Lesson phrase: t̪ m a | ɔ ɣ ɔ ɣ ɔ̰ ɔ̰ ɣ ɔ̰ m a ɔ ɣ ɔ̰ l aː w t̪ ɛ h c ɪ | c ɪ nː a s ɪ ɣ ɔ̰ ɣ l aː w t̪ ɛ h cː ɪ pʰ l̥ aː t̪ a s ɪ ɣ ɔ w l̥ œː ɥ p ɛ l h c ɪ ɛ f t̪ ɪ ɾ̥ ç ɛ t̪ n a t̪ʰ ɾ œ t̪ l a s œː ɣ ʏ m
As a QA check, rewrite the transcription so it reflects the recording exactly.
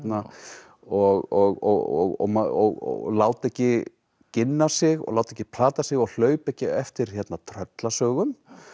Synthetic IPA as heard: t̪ n a | ɔ ɣ ɔ ɣ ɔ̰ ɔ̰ ɣ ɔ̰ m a ɔ ɣ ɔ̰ l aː w t̪ ɛ h c ɪ | c ɪ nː a s ɪ ɣ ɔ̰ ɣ l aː w t̪ ɛ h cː ɪ pʰ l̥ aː t̪ a s ɪ ɣ ɔ ɣ l̥ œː ɥ p ɛ h c ɪ ɛ f t̪ ɪ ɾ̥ ç ɛ t̪ n a t̪ʰ ɾ œ t̪ l a s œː ɣ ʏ m